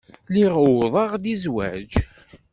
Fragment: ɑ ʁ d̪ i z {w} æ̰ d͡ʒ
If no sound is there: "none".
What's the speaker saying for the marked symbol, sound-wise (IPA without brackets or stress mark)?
w